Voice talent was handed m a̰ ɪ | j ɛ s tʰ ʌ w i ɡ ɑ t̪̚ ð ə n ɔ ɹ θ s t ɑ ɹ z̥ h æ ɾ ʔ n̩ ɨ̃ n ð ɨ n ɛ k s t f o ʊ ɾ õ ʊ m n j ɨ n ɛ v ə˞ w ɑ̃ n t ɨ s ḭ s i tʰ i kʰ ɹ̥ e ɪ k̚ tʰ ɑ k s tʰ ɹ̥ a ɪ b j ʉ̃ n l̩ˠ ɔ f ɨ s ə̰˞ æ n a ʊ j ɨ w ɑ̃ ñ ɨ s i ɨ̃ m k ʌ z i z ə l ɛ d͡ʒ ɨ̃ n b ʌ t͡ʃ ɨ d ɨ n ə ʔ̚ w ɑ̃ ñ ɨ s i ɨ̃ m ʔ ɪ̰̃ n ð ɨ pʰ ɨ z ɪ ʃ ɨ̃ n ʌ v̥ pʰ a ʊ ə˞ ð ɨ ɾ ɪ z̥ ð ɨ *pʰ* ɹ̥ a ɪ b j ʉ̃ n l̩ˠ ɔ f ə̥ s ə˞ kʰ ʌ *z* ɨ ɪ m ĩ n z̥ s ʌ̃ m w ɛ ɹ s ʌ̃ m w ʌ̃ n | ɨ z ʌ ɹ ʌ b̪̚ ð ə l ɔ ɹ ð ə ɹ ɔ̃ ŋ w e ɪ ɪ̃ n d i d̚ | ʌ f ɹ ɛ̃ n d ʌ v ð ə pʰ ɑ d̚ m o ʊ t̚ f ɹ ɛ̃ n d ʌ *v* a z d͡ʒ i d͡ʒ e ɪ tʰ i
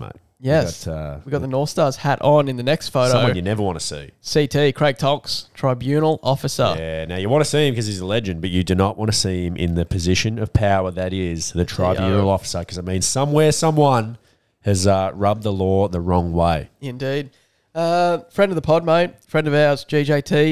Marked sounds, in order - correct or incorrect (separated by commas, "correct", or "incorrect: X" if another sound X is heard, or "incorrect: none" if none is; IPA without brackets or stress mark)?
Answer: incorrect: tʰ, correct, correct